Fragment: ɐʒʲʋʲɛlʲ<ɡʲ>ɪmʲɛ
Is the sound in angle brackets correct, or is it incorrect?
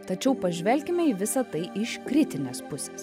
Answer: incorrect